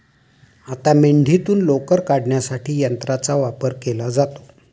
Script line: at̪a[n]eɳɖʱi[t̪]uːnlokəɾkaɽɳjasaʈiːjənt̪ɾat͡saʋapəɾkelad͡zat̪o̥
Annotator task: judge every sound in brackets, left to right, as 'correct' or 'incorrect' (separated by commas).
incorrect, correct